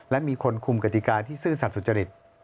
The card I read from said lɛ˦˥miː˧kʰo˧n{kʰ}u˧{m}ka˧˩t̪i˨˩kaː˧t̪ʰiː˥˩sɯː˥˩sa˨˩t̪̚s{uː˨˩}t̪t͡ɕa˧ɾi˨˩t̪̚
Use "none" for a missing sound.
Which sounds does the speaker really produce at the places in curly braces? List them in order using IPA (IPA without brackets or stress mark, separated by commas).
kʰ, m, u˨˩